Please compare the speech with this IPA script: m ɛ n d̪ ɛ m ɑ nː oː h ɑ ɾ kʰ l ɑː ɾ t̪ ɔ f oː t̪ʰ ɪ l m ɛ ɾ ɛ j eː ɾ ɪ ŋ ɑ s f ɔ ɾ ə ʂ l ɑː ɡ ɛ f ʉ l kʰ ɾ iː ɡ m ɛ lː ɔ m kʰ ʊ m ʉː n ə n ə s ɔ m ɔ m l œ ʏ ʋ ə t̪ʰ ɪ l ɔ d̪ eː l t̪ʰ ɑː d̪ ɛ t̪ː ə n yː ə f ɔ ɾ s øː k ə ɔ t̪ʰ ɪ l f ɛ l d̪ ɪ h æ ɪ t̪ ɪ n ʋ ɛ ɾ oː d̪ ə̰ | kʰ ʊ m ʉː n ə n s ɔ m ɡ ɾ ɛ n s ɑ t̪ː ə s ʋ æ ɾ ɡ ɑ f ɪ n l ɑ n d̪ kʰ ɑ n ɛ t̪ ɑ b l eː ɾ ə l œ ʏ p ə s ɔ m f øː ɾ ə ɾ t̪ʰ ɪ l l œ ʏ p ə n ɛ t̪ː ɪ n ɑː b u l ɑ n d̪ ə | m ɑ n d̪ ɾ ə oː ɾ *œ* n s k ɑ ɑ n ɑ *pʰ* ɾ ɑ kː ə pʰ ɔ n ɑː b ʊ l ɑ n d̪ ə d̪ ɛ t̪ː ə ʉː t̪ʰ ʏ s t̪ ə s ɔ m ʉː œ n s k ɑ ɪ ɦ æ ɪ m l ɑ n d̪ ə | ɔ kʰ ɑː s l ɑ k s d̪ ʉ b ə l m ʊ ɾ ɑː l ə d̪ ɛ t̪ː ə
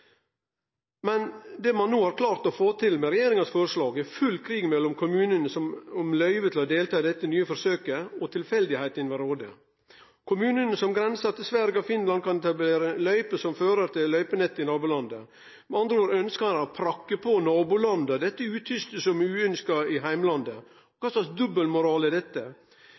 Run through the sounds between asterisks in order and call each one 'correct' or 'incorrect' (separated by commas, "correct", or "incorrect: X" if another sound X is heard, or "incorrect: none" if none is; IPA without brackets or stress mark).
correct, correct